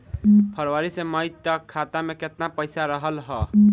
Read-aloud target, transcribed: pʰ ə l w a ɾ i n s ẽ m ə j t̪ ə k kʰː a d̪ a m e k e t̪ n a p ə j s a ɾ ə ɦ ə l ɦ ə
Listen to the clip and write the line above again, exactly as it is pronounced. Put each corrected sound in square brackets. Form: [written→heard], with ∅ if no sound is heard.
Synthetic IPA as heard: pʰ ə [l→ɾ] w a ɾ i [n→∅] s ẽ m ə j t̪ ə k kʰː a [d̪→t̪] a m e k e t̪ n a p ə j s a ɾ ə ɦ ə l ɦ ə

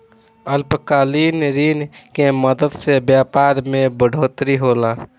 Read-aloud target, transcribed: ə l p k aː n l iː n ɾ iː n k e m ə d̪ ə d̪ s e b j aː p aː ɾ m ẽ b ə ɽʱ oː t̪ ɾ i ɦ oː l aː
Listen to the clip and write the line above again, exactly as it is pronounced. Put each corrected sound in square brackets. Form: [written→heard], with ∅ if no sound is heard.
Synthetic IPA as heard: ə l p k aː [n→∅] l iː n ɾ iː n k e m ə d̪ ə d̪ s e b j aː p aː ɾ m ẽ b ə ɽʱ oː t̪ ɾ i ɦ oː l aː

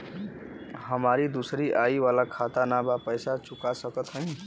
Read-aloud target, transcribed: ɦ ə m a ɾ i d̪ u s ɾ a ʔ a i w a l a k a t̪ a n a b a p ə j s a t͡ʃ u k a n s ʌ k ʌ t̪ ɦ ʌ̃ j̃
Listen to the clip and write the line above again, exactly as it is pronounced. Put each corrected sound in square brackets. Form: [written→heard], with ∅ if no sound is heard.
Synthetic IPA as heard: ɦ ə m a ɾ i d̪ u s ɾ [a→i] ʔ a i w a l a [k→kʰ] a t̪ a n a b a p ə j s a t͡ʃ u k a [n→∅] s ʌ k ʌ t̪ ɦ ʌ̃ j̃

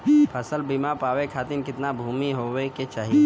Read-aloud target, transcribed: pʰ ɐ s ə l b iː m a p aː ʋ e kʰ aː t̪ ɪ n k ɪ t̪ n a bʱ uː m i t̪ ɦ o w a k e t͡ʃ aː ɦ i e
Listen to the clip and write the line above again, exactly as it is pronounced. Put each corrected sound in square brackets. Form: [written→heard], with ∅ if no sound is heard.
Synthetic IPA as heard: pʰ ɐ s ə l b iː m a p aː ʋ e kʰ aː t̪ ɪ n k ɪ t̪ n a bʱ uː m i [t̪→∅] ɦ o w [a→e] k e t͡ʃ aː ɦ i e

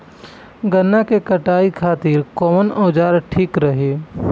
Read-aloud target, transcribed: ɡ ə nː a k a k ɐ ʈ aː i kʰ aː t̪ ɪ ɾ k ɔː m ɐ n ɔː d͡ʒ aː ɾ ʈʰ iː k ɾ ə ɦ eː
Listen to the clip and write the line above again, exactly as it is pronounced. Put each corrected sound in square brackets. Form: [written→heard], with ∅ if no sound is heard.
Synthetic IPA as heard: ɡ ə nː a k [a→e] k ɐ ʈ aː i kʰ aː t̪ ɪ ɾ k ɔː m [ɐ→ə] n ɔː d͡ʒ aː ɾ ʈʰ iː k ɾ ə ɦ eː

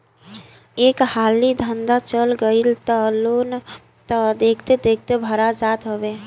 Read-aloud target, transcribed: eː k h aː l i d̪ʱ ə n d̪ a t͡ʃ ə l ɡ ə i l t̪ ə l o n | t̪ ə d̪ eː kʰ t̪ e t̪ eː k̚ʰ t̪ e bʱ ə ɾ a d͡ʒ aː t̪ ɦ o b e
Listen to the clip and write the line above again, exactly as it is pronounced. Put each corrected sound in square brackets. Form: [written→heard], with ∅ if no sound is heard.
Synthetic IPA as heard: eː k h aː l i d̪ʱ ə n d̪ a t͡ʃ ə l ɡ ə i l t̪ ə l o n | t̪ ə d̪ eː kʰ t̪ e [t̪→d̪] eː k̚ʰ t̪ e bʱ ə ɾ a d͡ʒ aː t̪ ɦ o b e

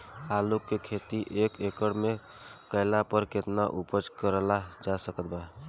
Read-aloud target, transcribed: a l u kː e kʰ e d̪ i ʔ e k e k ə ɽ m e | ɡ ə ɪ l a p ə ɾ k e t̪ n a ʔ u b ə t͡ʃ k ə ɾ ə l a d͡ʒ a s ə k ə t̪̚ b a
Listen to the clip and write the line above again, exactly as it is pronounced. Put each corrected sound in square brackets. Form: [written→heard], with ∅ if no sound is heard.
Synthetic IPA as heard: a l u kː e kʰ e [d̪→t̪] i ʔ e k e k ə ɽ m e | [ɡ→k] ə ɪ l a p ə ɾ k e t̪ n a ʔ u [b→p] ə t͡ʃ k ə ɾ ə l a d͡ʒ a s ə k ə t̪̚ b a

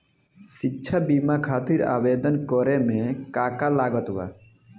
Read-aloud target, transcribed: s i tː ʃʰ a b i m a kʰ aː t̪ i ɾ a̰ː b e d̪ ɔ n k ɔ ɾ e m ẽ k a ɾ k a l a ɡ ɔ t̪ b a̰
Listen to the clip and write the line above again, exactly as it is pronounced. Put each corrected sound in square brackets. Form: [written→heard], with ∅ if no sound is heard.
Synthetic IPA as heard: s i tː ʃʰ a b i m a kʰ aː t̪ i ɾ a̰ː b e d̪ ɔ n k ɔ ɾ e m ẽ k a [ɾ→∅] k a l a ɡ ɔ t̪ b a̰

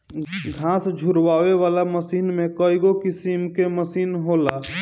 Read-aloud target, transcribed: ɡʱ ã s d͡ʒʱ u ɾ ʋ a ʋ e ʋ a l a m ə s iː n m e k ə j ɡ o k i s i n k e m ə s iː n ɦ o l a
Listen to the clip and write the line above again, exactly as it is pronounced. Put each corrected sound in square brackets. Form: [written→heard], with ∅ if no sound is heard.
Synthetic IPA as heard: ɡʱ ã s d͡ʒʱ u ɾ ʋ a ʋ e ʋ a l a m ə s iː n m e k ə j ɡ o k i s i [n→m] k e m ə s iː n ɦ o l a

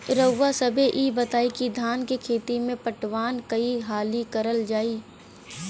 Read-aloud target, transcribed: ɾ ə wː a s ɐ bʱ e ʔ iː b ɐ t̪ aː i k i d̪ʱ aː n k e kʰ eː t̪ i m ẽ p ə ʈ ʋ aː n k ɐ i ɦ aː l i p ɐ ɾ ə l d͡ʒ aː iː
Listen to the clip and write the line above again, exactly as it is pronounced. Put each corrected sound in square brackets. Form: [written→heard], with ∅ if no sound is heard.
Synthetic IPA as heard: ɾ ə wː a s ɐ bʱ e ʔ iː b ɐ t̪ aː i k i d̪ʱ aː n k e kʰ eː t̪ i m ẽ p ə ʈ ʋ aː n k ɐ i ɦ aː l i [p→k] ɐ ɾ ə l d͡ʒ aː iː

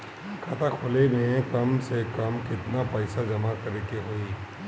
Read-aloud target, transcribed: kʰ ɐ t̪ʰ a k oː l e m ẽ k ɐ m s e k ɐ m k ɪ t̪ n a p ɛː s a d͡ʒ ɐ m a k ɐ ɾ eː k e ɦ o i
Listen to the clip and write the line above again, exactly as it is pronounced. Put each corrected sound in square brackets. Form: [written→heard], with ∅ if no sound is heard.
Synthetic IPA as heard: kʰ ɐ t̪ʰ a [k→kʰ] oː l e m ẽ k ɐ m s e k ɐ m k ɪ t̪ n a p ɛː s a d͡ʒ ɐ m a k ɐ ɾ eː k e ɦ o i

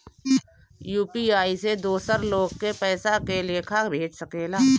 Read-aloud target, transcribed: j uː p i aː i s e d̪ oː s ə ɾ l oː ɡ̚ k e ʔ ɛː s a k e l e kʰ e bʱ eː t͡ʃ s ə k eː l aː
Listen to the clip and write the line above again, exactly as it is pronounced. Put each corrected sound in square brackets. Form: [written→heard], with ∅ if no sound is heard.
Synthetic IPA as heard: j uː p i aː i s e d̪ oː s ə ɾ l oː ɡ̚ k e [ʔ→p] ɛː s a k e l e kʰ [e→a] bʱ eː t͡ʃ s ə k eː l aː

